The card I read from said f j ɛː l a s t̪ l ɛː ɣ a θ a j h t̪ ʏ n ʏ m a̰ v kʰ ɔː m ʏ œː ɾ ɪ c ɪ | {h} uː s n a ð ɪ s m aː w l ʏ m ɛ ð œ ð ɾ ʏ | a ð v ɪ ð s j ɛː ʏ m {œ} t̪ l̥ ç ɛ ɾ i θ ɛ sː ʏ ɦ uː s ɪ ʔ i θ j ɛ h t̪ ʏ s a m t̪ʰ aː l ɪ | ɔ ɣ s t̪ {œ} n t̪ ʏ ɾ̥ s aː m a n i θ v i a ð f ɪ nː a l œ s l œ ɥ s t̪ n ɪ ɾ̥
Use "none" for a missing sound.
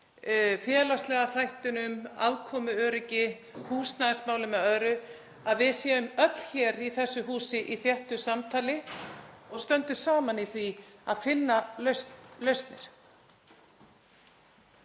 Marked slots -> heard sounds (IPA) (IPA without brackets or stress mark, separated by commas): h, œ, œ